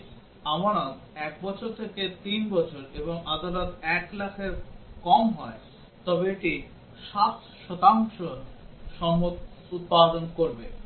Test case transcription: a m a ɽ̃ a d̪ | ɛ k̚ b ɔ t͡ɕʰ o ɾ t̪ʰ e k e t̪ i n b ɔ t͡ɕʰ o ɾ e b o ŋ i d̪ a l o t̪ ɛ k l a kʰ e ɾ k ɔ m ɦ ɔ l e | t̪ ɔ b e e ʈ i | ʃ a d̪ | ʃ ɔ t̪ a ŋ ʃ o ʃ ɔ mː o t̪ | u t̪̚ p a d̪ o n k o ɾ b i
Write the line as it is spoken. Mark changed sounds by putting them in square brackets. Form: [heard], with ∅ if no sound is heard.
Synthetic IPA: a m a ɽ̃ a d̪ | ɛ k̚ b ɔ t͡ɕʰ o ɾ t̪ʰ e k e t̪ i n b ɔ t͡ɕʰ o ɾ e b o ŋ [a] d̪ a l o t̪ ɛ k l a kʰ e ɾ k ɔ m ɦ ɔ [∅] e | t̪ ɔ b e e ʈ i | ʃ a [t̪] | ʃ ɔ t̪ a ŋ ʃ o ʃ ɔ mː o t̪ | u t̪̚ p a d̪ o n k o ɾ b [e]